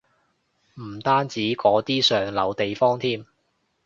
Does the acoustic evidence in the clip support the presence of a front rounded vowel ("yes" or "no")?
yes